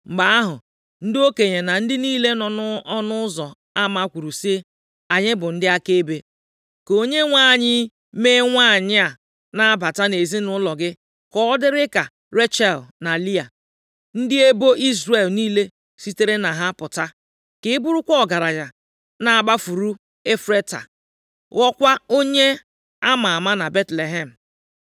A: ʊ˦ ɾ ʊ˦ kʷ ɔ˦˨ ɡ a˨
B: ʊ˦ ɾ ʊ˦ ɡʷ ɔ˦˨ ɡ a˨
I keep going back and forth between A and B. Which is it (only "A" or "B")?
A